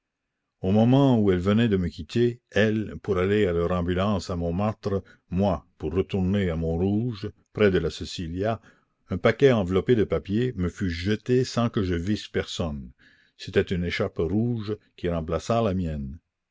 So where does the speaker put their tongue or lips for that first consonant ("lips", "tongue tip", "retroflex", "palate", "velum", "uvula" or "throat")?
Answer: lips